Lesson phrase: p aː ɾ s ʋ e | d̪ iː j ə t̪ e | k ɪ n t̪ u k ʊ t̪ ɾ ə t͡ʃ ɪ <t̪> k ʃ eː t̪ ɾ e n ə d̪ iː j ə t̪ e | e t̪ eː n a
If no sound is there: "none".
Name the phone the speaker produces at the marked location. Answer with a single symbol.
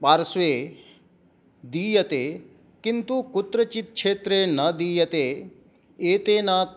t̪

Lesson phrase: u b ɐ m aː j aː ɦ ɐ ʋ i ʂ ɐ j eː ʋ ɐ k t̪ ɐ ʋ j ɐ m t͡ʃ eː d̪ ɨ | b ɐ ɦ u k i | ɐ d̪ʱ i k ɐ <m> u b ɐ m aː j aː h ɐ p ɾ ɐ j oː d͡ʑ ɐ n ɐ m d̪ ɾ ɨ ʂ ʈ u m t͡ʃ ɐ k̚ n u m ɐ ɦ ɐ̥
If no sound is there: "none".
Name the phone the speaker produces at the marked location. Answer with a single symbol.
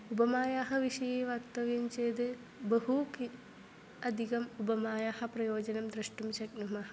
m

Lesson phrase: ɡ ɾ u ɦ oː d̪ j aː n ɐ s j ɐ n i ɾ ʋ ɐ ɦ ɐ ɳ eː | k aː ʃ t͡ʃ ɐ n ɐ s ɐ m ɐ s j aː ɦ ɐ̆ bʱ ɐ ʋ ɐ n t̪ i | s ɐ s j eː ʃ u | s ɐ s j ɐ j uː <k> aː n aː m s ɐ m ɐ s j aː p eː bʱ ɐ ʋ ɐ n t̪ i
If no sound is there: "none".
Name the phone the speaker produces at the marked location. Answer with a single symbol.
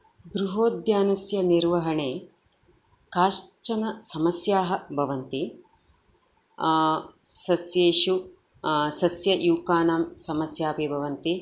k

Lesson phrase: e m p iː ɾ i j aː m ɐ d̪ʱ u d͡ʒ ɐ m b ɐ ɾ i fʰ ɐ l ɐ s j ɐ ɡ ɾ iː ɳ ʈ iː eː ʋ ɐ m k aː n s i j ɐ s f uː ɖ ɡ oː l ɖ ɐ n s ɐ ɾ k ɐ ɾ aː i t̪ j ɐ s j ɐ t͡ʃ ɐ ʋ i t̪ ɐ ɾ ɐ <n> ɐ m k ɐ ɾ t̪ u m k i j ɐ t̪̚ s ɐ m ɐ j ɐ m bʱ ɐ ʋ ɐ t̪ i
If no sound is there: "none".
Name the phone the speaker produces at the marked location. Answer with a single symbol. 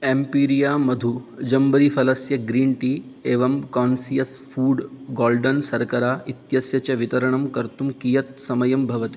ɳ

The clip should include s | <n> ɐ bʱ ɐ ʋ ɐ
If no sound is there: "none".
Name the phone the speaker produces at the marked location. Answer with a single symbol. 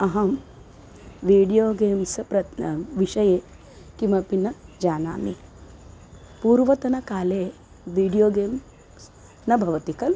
n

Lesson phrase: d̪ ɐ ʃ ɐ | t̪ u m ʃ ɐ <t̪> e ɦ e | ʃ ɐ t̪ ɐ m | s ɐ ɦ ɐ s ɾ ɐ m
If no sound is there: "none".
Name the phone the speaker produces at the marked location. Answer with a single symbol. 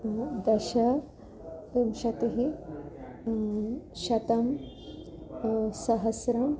t̪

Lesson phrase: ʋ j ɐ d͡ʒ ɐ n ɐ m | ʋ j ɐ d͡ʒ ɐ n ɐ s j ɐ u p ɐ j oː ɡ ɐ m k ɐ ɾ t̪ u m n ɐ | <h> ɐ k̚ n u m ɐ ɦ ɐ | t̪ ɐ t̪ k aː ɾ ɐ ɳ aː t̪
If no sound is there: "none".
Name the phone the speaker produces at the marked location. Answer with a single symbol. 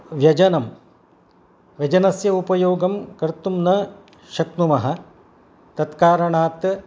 ʃ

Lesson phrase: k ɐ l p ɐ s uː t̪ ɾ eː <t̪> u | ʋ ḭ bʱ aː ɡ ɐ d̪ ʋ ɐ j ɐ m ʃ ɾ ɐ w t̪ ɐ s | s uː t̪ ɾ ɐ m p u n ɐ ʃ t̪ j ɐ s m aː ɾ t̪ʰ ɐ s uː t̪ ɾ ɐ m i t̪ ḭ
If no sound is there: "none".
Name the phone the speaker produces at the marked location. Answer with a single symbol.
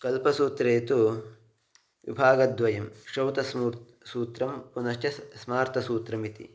t̪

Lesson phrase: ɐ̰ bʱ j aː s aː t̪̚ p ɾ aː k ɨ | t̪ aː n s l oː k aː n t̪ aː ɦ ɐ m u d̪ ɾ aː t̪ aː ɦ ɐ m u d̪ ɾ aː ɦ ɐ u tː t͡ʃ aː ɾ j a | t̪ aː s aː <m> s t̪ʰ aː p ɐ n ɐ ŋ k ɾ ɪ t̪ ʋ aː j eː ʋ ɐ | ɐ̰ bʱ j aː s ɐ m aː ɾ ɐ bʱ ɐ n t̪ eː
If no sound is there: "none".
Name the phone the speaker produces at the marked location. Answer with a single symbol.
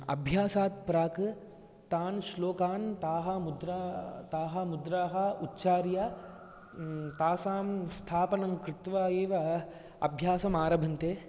m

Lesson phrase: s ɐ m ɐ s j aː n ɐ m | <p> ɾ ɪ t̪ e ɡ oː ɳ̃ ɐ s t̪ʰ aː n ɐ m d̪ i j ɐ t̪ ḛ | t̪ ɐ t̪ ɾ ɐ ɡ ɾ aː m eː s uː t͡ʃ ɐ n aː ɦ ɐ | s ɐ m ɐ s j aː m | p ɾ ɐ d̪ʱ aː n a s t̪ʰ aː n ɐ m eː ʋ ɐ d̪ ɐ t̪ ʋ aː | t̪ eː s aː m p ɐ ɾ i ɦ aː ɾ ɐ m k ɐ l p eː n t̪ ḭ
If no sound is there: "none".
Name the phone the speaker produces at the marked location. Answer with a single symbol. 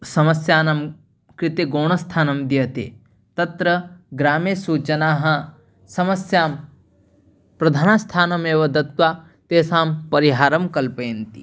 k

